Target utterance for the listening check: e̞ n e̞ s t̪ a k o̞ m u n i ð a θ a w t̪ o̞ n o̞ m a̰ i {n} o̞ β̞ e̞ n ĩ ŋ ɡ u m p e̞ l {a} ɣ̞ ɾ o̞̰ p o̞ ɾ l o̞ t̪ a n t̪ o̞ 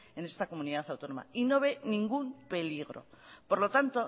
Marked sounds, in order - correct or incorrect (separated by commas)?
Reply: correct, incorrect